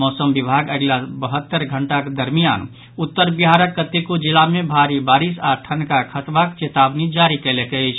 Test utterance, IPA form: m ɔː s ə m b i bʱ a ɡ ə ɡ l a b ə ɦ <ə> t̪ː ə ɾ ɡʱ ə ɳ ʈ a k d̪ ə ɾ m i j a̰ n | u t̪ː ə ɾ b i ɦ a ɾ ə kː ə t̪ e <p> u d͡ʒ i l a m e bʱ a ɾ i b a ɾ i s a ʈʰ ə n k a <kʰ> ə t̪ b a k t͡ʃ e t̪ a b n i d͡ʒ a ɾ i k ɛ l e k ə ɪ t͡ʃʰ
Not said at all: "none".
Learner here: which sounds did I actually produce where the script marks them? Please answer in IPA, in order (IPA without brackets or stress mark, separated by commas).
ə, k, kʰ